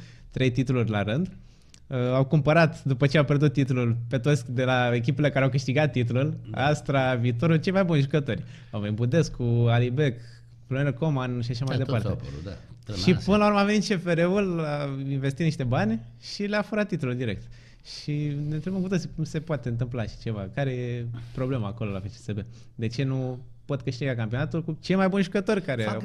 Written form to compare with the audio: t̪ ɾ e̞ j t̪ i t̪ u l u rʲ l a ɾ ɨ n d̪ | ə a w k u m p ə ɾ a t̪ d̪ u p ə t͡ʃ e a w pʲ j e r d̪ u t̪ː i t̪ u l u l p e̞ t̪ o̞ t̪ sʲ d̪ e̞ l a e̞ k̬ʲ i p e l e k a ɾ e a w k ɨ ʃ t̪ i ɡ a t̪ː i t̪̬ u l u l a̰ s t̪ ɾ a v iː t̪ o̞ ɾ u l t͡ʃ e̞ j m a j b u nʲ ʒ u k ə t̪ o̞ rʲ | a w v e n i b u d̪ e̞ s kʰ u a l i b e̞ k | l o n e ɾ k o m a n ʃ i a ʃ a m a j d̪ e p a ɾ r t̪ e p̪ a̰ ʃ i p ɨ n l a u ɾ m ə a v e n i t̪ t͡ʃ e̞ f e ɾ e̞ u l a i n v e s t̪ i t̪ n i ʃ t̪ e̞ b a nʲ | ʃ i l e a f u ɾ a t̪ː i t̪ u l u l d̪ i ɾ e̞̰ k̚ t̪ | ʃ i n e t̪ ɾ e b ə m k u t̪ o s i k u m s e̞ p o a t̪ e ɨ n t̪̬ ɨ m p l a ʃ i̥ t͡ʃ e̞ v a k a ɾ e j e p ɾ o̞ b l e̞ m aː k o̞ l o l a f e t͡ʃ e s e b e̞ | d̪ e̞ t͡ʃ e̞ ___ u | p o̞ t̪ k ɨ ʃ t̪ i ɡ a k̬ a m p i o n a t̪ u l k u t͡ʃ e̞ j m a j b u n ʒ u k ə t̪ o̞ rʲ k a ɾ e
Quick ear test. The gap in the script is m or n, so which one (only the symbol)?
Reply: n